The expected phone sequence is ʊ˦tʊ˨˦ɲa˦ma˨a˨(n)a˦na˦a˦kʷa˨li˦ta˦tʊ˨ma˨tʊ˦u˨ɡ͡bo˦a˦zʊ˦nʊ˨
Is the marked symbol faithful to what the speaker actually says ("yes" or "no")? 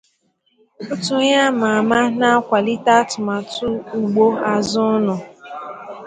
no